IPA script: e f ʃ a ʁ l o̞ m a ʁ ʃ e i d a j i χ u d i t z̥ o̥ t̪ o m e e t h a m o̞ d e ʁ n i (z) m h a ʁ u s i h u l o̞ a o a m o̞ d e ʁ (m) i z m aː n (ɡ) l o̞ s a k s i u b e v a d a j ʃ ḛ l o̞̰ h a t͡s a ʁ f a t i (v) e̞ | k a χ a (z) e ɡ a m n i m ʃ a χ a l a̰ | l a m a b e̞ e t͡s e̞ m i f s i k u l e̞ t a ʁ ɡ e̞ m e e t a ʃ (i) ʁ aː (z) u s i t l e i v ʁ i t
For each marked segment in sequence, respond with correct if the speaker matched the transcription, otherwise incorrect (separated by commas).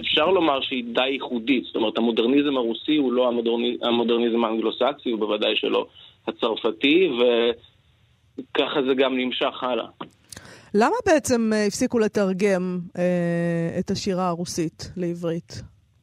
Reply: correct, incorrect, correct, correct, correct, correct, incorrect